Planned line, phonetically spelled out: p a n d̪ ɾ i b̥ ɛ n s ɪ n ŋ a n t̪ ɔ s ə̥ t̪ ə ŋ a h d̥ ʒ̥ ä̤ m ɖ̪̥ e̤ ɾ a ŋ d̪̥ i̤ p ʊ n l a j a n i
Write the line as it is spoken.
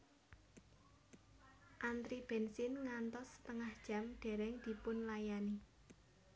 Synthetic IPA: ʔ a n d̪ ɾ i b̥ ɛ n s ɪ n ŋ a n t̪ ɔ s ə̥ t̪ ə ŋ a h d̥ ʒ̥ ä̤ m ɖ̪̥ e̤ ɾ ɛ ŋ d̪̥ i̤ p ʊ n l a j a n i